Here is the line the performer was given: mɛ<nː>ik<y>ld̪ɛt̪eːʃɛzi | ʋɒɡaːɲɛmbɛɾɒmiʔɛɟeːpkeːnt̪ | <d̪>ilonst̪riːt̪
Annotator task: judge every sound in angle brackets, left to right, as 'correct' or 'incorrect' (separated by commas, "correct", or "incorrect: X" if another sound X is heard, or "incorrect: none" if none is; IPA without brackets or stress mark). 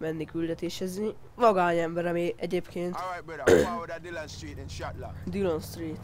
correct, correct, correct